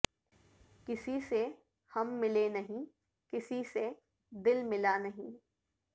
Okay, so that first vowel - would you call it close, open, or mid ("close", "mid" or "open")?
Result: close